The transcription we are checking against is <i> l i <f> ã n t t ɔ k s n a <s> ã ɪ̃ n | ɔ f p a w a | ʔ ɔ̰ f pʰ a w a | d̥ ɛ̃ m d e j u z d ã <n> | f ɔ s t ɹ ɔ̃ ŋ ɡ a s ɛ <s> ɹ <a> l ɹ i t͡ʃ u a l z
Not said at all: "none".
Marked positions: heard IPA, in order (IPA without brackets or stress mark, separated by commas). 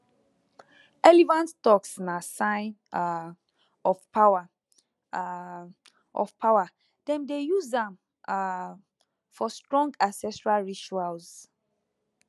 ɛ, v, s, m, s, a